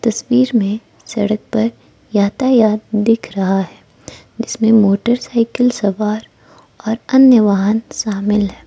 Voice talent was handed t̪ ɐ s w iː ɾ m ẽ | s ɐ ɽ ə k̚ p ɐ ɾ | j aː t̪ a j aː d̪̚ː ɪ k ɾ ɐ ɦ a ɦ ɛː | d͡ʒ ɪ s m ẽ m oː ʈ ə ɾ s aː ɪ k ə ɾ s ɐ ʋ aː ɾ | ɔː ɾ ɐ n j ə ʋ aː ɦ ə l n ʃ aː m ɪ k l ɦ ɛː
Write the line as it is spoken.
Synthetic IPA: t̪ ɐ s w iː ɾ m ẽ | s ɐ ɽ ə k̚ p ɐ ɾ | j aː t̪ a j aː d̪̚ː ɪ kʰ ɾ ɐ ɦ a ɦ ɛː | d͡ʒ ɪ s m ẽ m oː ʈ ə ɾ s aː ɪ k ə l s ɐ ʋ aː ɾ | ɔː ɾ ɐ n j ə ʋ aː ɦ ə n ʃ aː m ɪ l ɦ ɛː

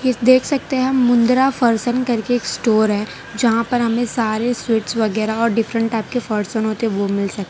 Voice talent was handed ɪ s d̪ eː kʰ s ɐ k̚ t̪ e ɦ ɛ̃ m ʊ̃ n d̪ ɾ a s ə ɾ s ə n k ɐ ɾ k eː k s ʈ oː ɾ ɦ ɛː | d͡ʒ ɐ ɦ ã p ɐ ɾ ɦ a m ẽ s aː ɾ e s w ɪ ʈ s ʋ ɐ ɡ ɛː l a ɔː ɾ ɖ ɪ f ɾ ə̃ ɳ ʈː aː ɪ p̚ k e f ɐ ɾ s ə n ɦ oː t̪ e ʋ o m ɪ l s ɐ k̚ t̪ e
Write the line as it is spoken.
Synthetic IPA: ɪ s d̪ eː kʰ s ɐ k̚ t̪ e ɦ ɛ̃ m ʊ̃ n d̪ ɾ a f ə ɾ s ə n k ɐ ɾ k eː k s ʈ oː ɾ ɦ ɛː | d͡ʒ ɐ ɦ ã p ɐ ɾ ɦ ɐ m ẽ s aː ɾ e s w ɪ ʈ s ʋ ɐ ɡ ɛː ɾ a ɔː ɾ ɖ ɪ f ɾ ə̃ ɳ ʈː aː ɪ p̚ k e f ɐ ɾ s ə n ɦ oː t̪ e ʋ o m ɪ l s ɐ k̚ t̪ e

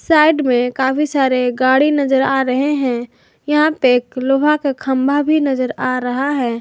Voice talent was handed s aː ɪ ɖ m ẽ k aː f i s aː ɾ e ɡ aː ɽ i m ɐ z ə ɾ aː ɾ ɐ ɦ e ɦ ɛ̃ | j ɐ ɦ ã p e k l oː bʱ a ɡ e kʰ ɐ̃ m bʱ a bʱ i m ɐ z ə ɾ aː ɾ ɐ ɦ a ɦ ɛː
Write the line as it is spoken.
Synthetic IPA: s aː ɪ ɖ m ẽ k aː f i s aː ɾ e ɡ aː ɽ i n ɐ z ə ɾ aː ɾ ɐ ɦ e ɦ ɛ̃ | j ɐ ɦ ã p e k l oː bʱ a k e kʰ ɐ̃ m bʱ a bʱ i n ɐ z ə ɾ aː ɾ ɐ ɦ a ɦ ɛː

